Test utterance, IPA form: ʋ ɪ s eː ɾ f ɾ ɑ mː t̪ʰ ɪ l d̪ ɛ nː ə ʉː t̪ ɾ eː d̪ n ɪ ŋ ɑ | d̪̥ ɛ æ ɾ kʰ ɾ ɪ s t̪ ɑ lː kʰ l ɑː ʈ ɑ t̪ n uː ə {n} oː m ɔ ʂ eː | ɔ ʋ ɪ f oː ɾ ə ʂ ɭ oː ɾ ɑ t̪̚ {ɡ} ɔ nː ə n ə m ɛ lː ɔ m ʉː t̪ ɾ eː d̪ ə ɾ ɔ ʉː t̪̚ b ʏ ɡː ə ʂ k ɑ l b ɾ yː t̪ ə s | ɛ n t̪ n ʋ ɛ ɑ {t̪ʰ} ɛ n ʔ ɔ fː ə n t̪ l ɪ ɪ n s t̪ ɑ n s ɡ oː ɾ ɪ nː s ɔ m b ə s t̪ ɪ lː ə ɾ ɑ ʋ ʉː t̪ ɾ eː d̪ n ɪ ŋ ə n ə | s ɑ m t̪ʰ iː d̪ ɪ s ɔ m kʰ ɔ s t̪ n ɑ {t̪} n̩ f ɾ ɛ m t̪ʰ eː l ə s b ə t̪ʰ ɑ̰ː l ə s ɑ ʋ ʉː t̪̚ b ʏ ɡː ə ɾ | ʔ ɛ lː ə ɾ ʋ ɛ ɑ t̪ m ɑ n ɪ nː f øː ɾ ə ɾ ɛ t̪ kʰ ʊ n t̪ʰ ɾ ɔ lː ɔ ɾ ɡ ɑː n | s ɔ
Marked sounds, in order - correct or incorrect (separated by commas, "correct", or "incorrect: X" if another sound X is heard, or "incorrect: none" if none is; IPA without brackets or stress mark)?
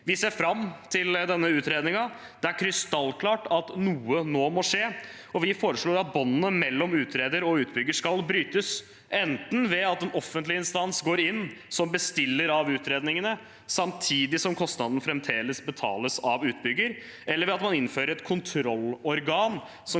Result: correct, incorrect: b, incorrect: t̪, incorrect: d̪